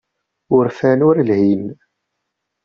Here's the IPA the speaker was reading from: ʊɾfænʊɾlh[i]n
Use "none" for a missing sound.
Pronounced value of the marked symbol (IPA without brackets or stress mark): i